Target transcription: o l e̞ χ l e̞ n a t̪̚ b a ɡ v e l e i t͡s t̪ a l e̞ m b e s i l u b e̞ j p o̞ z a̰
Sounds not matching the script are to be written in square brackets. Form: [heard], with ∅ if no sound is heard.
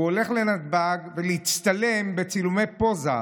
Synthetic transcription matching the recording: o l e̞ χ l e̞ n a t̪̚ b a ɡ v e l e i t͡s t̪ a l e̞ m b e [t͡s] i l u [m] e̞ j p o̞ z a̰